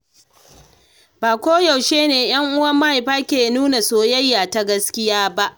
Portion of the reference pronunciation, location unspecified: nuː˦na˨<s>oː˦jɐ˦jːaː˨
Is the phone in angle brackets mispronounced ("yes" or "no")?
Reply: no